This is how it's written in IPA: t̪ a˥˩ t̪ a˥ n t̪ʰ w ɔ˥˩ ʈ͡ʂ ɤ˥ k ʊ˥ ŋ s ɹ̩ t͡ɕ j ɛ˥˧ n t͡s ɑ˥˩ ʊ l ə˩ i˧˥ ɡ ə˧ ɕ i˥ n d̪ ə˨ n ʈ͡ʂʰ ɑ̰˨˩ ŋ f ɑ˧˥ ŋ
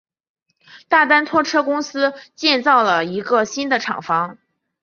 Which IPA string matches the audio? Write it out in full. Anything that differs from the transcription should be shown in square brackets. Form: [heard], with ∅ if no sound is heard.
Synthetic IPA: t̪ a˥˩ t̪ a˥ n t̪ʰ w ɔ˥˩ [ʈ͡ʂʰ] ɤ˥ k ʊ˥ ŋ s ɹ̩ t͡ɕ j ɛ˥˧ n t͡s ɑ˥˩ ʊ l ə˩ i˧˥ ɡ ə˧ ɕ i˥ n d̪ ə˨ [∅] ʈ͡ʂʰ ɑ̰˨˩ ŋ f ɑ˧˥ ŋ